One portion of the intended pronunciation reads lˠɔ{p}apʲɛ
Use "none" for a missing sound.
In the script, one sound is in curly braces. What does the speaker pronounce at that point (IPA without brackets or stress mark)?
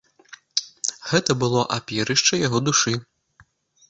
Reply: ʔ